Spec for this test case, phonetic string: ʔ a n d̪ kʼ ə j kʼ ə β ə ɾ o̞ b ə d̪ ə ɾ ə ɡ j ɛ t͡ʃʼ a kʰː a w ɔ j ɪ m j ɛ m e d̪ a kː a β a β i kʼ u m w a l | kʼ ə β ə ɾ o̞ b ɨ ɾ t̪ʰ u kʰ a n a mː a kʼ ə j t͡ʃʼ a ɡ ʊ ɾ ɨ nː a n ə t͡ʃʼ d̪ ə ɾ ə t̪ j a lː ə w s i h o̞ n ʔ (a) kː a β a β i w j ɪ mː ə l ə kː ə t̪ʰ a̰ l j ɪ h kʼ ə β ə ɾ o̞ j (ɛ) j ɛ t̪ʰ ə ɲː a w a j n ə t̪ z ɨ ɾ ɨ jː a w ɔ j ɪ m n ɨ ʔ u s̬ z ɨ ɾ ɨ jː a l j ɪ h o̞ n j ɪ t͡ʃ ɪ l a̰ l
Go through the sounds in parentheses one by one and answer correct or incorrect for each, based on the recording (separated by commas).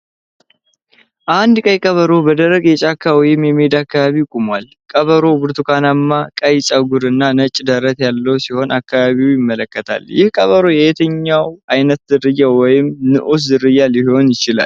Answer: correct, correct